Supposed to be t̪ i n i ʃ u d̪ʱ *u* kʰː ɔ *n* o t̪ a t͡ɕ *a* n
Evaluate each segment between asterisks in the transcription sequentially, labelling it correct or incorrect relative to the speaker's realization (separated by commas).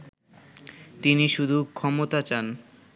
correct, incorrect, correct